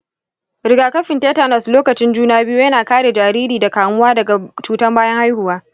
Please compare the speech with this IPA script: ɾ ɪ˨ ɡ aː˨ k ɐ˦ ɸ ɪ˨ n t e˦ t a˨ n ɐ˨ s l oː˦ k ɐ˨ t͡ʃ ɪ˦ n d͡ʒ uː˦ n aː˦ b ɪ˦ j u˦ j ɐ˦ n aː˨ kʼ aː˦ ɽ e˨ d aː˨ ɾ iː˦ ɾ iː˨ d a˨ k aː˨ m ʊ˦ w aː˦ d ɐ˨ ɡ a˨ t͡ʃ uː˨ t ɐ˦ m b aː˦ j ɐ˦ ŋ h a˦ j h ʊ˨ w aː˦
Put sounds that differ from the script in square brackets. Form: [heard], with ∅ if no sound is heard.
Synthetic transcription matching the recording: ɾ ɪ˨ ɡ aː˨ k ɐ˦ ɸ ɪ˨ n t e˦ t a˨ n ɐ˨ s l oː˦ k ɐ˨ t͡ʃ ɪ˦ n d͡ʒ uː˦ n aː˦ b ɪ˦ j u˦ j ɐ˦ n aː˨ [k] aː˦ ɽ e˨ [d͡ʒ] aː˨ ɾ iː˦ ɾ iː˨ d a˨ k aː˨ m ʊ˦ w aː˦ d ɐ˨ ɡ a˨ t͡ʃ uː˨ t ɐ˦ m b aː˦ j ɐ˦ ŋ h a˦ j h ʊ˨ w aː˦